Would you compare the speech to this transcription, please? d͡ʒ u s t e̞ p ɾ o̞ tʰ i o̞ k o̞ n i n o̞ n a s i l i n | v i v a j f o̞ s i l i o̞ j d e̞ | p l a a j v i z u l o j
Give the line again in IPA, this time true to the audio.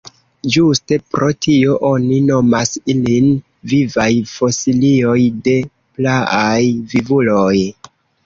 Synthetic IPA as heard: d͡ʒ u s t e̞ p ɾ o̞ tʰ i o̞ ʔ o̞ n i n o̞ m a s i l i n | v i v a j f o̞ s i l i o̞ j d e̞ | p l a a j v i v u l o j